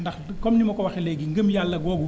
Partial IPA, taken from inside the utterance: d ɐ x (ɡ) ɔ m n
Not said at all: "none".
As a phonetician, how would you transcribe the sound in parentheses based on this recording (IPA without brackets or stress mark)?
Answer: k